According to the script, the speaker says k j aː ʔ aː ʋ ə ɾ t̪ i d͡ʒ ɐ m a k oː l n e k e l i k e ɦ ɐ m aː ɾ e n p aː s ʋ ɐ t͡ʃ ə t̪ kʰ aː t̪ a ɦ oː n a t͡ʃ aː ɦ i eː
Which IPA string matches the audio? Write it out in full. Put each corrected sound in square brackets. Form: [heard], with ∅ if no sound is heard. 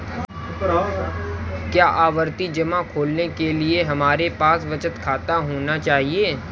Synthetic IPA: k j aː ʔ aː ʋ ə ɾ t̪ i d͡ʒ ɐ m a [kʰ] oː l n e k e l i [∅] e ɦ ɐ m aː ɾ e [∅] p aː s ʋ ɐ t͡ʃ ə t̪ kʰ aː t̪ a ɦ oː n a t͡ʃ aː ɦ i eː